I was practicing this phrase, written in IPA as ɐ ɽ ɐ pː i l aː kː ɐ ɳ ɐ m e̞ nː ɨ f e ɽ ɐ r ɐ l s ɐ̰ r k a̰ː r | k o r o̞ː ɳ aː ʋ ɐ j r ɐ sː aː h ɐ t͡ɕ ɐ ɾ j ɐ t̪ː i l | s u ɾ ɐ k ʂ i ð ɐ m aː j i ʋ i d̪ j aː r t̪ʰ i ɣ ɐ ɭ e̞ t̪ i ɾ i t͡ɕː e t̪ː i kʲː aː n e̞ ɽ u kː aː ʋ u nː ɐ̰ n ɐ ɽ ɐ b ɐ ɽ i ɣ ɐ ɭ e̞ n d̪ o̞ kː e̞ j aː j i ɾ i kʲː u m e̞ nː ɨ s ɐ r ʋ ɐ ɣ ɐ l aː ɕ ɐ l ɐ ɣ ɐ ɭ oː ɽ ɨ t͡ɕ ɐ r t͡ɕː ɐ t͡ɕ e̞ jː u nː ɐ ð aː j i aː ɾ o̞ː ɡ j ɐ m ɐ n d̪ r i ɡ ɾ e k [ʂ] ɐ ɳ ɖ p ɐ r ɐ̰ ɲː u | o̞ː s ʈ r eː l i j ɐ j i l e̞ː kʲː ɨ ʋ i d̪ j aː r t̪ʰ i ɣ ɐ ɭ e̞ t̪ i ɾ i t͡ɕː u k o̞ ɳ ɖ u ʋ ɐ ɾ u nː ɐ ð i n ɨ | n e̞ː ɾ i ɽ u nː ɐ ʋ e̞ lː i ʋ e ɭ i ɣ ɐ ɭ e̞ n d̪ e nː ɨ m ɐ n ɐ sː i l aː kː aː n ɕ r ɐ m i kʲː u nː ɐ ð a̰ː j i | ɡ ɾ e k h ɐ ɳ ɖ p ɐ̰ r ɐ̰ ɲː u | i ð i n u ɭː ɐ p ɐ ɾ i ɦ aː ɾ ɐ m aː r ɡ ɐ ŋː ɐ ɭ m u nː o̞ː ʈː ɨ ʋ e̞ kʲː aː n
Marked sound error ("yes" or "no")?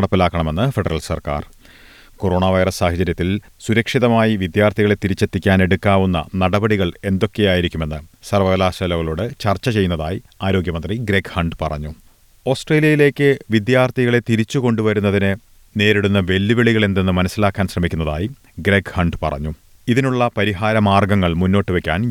yes